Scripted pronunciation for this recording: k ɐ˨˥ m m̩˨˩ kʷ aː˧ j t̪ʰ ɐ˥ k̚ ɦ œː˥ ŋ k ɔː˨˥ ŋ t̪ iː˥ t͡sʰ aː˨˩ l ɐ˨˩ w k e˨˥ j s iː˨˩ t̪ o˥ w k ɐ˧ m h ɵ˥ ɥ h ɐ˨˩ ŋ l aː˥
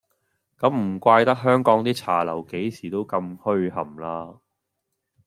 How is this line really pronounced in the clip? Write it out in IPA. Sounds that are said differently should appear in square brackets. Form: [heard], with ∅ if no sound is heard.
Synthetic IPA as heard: k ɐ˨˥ m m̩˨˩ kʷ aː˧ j [t̪] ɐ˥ k̚ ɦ œː˥ ŋ k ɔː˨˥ ŋ t̪ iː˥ t͡sʰ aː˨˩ l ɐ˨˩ w k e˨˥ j s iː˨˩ t̪ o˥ w k ɐ˧ m h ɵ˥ ɥ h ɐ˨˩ [m] l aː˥